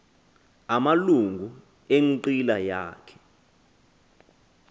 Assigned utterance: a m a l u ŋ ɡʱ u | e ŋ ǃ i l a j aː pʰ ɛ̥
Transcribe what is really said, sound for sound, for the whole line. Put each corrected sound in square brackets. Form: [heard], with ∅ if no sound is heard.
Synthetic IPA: a m a l u ŋ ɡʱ u | e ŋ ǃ i l a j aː [kʰ] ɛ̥

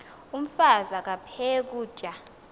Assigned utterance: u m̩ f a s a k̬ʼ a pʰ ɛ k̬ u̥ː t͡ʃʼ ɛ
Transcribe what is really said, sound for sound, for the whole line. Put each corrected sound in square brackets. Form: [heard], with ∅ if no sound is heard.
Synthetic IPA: u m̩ f a [z] a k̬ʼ a pʰ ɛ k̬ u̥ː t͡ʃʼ [a]

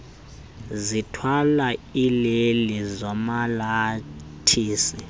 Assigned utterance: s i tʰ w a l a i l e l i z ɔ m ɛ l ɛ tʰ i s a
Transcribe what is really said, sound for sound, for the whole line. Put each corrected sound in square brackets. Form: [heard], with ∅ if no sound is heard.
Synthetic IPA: [z] i tʰ w a l a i l e l i z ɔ m [a] l [a] tʰ [iː] s [i]

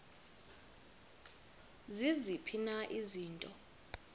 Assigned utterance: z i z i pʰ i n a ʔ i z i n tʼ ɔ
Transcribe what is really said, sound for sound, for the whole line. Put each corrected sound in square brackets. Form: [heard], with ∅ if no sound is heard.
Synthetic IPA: z i z i pʰ i n a ʔ i z [iː] n tʼ ɔ

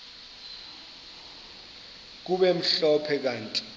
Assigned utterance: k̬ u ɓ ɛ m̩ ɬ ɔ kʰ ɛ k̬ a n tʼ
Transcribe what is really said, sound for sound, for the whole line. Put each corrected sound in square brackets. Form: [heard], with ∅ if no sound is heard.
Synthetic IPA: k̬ u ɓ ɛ m̩ ɬ ɔ [pʰ] ɛ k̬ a n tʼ

